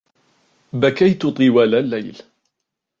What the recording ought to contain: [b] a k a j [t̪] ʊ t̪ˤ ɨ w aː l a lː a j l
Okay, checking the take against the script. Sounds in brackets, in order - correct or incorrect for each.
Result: correct, correct

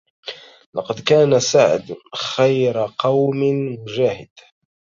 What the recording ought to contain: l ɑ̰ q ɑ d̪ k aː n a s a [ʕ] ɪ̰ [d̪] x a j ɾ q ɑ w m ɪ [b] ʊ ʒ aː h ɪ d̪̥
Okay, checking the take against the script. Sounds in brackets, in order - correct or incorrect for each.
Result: correct, correct, incorrect: m

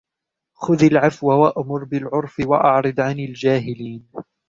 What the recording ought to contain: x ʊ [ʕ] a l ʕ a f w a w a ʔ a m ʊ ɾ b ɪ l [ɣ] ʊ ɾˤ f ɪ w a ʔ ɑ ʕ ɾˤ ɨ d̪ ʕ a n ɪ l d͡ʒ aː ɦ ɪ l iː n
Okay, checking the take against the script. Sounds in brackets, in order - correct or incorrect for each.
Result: incorrect: ð, incorrect: ʕ

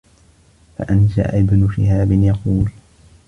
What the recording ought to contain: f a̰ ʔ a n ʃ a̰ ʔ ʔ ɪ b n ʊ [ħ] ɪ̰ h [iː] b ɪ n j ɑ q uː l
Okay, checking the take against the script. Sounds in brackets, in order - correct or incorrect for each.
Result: incorrect: ʃ, incorrect: aː

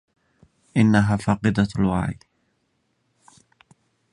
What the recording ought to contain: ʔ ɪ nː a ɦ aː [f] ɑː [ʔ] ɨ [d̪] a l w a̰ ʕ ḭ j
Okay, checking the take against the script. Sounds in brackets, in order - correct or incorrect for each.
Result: correct, incorrect: q, correct

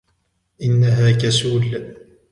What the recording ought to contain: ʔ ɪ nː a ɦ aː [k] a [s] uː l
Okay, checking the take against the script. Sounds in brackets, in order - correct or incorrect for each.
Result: correct, correct

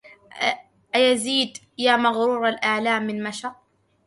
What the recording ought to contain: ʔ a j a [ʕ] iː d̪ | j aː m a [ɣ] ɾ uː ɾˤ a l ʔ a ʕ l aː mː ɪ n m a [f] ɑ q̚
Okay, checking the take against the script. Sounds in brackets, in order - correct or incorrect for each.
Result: incorrect: z, correct, incorrect: ʃ

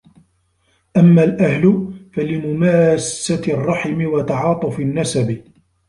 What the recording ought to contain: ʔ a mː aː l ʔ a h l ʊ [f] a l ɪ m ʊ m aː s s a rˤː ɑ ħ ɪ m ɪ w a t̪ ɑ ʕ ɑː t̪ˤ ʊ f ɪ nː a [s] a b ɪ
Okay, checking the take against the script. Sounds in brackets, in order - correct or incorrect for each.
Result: correct, correct

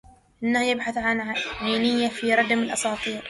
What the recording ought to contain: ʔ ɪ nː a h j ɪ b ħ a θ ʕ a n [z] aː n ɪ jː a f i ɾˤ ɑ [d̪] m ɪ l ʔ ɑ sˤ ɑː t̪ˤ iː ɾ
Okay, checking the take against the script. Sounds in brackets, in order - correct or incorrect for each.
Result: incorrect: ʕ, correct

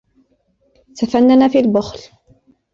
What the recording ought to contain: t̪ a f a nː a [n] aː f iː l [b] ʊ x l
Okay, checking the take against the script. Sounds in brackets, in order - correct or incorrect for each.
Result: correct, correct

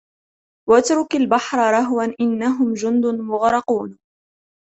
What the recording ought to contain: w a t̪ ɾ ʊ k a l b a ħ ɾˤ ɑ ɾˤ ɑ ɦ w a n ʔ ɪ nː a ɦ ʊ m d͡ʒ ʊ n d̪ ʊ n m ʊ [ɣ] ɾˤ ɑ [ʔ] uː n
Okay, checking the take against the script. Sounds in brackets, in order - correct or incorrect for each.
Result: correct, incorrect: q

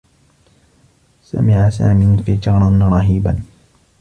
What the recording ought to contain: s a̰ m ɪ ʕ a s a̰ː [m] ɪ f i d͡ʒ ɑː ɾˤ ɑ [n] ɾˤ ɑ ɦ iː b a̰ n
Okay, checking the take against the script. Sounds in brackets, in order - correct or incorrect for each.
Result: correct, correct

